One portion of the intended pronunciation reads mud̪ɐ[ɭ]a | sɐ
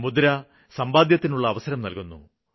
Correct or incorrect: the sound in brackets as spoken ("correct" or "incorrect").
incorrect